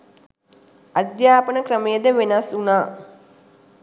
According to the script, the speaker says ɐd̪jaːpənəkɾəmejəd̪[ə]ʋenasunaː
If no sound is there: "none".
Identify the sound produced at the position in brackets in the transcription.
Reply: ə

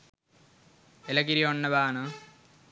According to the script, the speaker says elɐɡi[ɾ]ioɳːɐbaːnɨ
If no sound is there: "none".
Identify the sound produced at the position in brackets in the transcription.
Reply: ɾ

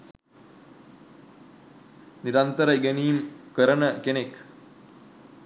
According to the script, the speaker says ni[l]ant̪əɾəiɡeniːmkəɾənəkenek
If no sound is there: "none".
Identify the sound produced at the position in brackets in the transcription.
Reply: ɾ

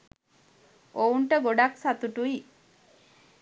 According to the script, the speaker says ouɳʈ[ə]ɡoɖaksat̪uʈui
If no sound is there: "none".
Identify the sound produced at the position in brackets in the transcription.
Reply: ə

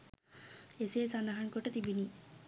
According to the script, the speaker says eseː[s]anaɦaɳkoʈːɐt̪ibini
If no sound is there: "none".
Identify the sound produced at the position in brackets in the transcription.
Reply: s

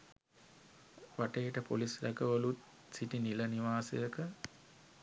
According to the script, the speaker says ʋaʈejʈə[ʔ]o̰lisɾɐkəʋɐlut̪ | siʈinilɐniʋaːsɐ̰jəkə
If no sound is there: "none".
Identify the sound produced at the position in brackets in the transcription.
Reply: p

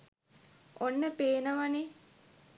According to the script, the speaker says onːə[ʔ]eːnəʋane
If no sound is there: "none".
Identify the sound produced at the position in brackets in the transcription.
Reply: p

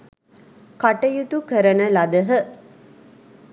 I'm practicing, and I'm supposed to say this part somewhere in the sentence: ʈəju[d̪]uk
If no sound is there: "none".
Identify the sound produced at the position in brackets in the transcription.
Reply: t̪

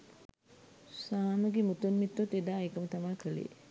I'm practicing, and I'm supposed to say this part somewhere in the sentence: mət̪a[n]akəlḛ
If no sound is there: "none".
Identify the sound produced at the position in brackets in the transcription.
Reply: m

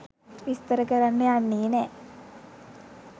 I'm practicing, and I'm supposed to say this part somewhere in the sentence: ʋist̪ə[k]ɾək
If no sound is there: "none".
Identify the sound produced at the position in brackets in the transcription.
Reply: none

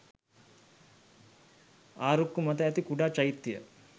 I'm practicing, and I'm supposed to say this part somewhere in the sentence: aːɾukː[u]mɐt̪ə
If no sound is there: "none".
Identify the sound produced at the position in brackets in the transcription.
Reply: u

